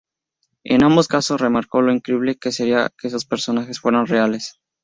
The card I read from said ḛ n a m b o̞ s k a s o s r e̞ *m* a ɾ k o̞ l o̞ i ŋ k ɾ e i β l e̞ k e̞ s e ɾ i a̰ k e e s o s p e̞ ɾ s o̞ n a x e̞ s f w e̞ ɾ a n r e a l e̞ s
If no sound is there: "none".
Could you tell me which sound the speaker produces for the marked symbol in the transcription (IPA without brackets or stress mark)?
m